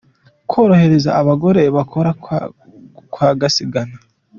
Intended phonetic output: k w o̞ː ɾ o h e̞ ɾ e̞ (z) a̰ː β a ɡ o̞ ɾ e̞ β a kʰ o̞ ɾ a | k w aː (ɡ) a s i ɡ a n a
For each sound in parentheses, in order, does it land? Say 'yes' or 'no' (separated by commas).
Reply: yes, yes